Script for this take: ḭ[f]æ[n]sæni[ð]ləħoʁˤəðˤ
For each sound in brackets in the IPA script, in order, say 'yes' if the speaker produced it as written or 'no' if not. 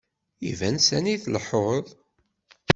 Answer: no, yes, no

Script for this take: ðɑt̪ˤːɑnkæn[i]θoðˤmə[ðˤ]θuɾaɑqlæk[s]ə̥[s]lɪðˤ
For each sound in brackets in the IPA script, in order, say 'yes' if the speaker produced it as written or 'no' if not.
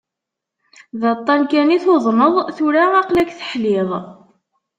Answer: yes, yes, no, no

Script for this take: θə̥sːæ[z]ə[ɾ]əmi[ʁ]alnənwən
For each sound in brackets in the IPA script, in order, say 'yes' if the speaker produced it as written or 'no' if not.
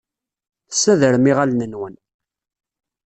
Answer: no, yes, yes

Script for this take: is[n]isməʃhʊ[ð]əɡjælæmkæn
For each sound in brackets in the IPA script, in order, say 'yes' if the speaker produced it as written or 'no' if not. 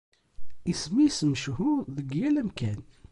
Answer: no, yes

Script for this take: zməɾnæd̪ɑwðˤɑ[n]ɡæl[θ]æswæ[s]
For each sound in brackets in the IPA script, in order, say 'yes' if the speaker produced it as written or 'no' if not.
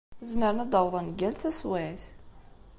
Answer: yes, yes, no

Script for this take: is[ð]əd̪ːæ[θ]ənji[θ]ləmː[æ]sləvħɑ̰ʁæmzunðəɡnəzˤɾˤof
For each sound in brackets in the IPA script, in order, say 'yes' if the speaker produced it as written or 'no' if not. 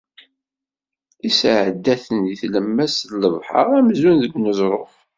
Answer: no, yes, yes, yes

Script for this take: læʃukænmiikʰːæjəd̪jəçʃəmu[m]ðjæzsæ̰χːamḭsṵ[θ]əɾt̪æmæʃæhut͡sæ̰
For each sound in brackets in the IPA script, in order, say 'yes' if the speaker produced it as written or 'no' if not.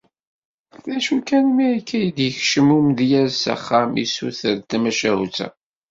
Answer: yes, yes

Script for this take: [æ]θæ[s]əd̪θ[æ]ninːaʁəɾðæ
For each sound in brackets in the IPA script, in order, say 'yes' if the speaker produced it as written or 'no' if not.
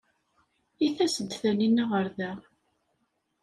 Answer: no, yes, yes

